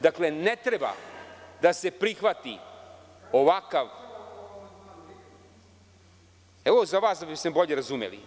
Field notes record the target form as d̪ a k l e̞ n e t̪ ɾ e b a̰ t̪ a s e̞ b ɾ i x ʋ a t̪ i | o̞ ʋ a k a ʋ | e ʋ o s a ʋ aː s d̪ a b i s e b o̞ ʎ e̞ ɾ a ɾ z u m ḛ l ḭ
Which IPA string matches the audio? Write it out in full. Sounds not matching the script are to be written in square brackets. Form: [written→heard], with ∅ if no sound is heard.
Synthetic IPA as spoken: d̪ a k l e̞ n e t̪ ɾ e b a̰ [t̪→d̪] a s e̞ [b→p] ɾ i x ʋ a t̪ i | o̞ ʋ a k a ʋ | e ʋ o [s→z] a ʋ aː s d̪ a b i s e b o̞ ʎ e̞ ɾ a [ɾ→∅] z u m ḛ l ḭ